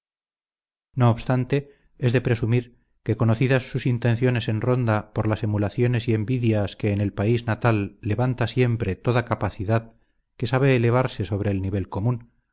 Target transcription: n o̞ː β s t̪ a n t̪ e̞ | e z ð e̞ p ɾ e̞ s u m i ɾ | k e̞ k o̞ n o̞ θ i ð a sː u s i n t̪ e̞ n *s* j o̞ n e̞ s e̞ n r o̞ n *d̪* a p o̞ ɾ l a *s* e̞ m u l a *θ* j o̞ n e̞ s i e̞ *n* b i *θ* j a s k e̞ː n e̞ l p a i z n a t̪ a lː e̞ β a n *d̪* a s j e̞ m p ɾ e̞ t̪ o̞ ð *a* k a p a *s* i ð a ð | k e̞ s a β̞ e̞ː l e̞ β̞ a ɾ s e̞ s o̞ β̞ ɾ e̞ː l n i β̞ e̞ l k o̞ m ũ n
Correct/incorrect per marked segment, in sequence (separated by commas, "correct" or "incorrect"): incorrect, correct, correct, correct, incorrect, incorrect, incorrect, correct, incorrect